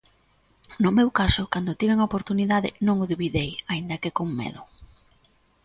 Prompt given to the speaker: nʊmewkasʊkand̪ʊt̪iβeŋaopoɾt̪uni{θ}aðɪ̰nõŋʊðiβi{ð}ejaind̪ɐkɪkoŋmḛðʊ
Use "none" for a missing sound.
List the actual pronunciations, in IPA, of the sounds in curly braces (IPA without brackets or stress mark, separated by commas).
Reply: ð, ð